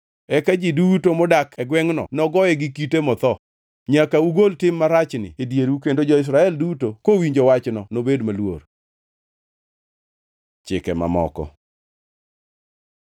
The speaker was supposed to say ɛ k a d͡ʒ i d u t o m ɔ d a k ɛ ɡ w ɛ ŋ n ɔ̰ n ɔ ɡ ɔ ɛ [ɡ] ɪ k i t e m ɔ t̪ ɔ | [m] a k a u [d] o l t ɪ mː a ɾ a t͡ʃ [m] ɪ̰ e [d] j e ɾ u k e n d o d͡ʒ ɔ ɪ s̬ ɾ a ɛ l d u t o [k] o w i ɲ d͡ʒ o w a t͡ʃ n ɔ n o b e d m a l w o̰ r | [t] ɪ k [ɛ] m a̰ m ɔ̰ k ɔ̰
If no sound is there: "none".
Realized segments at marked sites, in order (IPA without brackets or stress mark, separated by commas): ɡ, ɲ, ɡ, n, d, k, t͡ʃ, ɛ